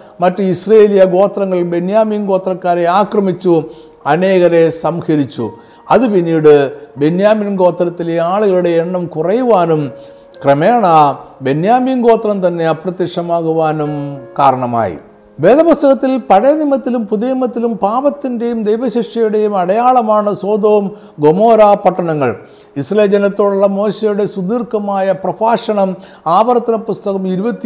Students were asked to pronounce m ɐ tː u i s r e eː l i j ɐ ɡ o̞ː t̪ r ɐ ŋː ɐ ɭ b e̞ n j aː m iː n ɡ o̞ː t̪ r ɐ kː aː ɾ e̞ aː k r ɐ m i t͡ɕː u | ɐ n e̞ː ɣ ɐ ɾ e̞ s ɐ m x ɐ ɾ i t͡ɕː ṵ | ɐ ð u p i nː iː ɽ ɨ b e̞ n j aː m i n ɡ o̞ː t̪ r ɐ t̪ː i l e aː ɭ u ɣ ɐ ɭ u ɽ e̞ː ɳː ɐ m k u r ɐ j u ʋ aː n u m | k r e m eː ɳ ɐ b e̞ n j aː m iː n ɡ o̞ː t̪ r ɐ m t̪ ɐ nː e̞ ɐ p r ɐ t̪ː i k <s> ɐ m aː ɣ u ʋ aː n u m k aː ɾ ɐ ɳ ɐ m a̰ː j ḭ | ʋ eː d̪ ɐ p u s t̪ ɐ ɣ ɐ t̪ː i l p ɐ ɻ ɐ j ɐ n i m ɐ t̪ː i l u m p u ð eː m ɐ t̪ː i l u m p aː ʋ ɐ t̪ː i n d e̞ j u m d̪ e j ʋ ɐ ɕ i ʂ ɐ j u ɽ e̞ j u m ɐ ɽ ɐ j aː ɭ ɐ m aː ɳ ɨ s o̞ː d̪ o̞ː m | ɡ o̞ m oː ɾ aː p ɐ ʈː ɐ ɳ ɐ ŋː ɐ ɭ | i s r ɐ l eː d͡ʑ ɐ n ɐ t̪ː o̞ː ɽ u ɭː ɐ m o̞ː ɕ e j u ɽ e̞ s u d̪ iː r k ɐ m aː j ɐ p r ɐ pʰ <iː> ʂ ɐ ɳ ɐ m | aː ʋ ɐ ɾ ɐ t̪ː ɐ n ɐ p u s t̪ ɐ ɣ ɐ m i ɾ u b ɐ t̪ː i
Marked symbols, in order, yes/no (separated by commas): no, no